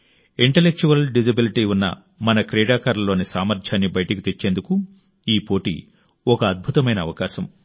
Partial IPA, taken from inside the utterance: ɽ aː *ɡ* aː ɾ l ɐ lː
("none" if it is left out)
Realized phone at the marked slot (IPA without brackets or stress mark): k